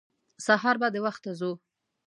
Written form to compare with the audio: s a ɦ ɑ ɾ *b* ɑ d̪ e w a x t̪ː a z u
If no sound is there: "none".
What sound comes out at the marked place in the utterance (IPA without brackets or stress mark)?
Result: b